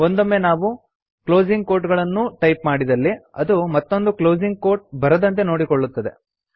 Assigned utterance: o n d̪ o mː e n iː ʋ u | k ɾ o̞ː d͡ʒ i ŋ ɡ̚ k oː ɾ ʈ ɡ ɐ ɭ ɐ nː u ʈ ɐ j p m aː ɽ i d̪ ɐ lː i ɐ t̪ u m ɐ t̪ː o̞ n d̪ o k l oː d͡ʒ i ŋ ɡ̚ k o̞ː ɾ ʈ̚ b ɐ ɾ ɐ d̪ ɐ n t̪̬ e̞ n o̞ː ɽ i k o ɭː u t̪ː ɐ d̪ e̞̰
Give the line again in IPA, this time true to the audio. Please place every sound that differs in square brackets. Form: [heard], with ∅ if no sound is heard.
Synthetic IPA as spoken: o n d̪ o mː e n [aː] ʋ u | k [l] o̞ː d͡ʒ i ŋ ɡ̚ k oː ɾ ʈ ɡ ɐ ɭ ɐ nː u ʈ ɐ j p m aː ɽ i d̪ ɐ lː i ɐ [d̪] u m ɐ t̪ː o̞ n d̪ [u] k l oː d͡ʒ i ŋ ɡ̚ k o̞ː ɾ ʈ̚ b ɐ ɾ ɐ d̪ ɐ n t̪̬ e̞ n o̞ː ɽ i k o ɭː u t̪ː ɐ d̪ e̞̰